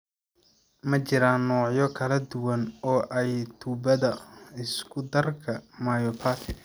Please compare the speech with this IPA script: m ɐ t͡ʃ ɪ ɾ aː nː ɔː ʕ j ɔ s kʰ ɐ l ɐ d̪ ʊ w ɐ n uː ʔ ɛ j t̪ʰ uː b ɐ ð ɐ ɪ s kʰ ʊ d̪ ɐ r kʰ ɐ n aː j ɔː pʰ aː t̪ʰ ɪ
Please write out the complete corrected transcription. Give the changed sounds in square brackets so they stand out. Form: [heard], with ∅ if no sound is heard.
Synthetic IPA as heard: m ɐ t͡ʃ ɪ ɾ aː nː ɔː ʕ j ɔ [∅] kʰ ɐ l ɐ d̪ ʊ w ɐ n [ɔː] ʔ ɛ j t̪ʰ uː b ɐ ð ɐ ɪ s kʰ ʊ d̪ ɐ r kʰ ɐ [m] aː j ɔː pʰ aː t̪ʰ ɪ